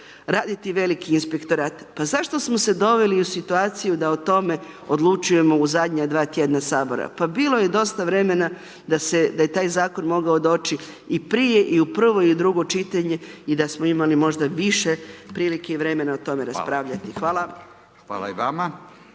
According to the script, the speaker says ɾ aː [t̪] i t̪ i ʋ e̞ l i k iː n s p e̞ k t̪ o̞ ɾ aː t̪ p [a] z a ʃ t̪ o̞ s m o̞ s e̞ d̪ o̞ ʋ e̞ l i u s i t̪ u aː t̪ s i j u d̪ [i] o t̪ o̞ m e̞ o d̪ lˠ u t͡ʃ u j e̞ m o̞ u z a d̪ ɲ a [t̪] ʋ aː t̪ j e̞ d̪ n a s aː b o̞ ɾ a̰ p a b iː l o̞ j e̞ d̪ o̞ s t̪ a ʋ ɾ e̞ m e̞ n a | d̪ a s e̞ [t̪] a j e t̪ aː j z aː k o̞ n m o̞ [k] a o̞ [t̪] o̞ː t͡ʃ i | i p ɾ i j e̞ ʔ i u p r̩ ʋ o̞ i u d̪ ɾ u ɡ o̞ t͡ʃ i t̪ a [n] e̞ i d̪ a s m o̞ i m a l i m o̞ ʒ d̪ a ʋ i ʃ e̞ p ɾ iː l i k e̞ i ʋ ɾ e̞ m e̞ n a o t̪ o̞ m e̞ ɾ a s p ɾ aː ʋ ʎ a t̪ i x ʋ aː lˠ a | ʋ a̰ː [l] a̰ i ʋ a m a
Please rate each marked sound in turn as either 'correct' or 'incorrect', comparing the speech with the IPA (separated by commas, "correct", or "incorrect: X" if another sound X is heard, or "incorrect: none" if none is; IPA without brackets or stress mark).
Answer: incorrect: d̪, correct, incorrect: a, incorrect: d̪, incorrect: d̪, incorrect: ɡ, incorrect: d̪, incorrect: ɲ, correct